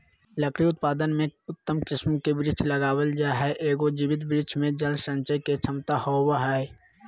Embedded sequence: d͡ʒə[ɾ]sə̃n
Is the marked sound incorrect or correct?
incorrect